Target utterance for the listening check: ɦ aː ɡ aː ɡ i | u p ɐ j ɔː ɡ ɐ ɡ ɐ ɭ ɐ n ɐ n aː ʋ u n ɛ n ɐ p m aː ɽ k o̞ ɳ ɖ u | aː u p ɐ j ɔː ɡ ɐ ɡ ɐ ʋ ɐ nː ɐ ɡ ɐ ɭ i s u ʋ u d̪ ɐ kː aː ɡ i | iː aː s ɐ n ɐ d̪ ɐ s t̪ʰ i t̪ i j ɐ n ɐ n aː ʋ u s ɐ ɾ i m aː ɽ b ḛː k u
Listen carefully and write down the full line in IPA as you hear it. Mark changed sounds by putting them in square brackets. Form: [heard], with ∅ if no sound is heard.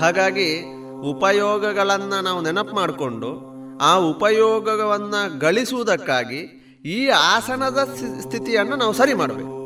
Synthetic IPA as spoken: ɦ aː ɡ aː ɡ i | u p ɐ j ɔː ɡ ɐ ɡ ɐ ɭ ɐ [nː] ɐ n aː ʋ u n ɛ n ɐ p m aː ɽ k o̞ ɳ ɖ u | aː u p ɐ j ɔː ɡ ɐ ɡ ɐ ʋ ɐ nː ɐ ɡ ɐ ɭ i s u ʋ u d̪ ɐ kː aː ɡ i | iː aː s ɐ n ɐ d̪ ɐ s t̪ʰ i t̪ i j ɐ [nː] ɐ n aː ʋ u s ɐ ɾ i m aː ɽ b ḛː k u